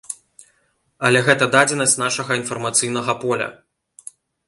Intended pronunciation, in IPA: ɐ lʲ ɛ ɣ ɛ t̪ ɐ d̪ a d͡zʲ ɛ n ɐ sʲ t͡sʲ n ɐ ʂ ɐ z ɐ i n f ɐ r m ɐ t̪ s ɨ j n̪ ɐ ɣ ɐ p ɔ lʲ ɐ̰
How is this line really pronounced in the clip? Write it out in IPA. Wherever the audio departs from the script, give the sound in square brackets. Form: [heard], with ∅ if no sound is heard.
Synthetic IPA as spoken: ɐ lʲ ɛ ɣ ɛ t̪ ɐ d̪ a d͡zʲ ɛ n ɐ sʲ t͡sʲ n [a] ʂ ɐ [ɣ] ɐ i n f ɐ r m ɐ t̪ s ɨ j n̪ ɐ ɣ ɐ p ɔ lʲ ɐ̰